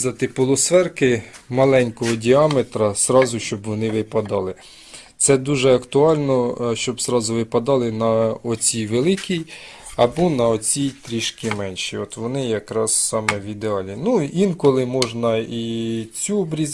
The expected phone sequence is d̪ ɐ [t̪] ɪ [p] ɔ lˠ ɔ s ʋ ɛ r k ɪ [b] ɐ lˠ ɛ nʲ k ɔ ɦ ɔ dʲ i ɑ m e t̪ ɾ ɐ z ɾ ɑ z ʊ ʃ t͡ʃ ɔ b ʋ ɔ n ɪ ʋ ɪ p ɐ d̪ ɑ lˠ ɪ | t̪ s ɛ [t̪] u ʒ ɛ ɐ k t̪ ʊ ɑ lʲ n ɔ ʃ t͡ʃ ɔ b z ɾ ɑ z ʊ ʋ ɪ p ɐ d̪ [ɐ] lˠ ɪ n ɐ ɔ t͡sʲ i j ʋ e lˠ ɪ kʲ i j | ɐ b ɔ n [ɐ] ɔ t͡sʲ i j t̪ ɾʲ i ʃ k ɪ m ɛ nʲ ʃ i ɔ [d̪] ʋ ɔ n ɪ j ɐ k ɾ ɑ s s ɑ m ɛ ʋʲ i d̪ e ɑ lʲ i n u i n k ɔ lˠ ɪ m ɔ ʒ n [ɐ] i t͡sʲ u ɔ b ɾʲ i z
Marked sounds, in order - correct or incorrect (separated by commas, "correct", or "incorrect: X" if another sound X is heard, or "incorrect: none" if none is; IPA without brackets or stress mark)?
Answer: correct, correct, incorrect: m, incorrect: d̪, incorrect: ɑ, correct, incorrect: t̪, correct